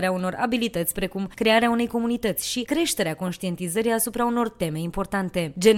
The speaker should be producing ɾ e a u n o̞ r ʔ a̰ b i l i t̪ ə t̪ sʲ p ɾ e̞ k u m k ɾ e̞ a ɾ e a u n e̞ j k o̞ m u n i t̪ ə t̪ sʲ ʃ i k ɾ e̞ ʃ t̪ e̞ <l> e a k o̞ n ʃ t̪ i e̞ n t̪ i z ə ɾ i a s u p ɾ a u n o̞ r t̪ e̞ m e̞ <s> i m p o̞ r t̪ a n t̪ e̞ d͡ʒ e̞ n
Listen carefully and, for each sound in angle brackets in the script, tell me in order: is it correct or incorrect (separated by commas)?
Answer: incorrect, incorrect